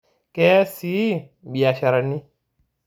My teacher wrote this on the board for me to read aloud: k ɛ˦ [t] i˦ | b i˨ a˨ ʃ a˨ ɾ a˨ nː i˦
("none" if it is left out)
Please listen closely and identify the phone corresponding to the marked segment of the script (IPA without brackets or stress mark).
s